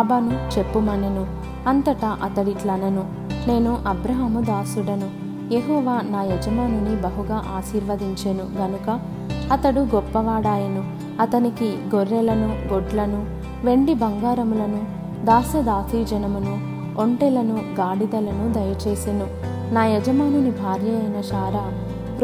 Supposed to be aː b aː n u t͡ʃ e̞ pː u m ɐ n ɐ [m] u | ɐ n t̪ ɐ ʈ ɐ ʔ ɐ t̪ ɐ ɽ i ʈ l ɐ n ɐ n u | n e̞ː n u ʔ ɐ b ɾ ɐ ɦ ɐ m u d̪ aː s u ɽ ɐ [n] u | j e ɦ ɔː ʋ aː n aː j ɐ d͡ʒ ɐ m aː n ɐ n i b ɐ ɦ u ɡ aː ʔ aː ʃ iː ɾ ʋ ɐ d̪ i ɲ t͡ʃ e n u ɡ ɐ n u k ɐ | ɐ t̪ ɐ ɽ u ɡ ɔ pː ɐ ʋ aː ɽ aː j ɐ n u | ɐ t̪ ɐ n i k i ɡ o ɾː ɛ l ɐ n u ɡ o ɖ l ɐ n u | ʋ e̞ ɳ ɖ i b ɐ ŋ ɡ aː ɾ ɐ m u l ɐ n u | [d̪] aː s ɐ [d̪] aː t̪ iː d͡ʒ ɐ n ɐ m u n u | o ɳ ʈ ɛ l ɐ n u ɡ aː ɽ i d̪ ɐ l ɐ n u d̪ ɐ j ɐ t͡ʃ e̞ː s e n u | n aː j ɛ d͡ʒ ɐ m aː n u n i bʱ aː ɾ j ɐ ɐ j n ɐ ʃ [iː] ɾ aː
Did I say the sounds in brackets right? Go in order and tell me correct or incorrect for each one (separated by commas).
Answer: incorrect, correct, correct, correct, incorrect